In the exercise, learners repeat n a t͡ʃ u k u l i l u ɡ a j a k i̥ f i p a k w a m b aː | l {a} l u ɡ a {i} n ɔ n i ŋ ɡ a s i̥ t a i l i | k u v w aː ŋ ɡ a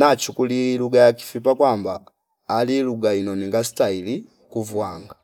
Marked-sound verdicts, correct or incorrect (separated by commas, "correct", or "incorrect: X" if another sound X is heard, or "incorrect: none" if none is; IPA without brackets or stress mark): incorrect: i, correct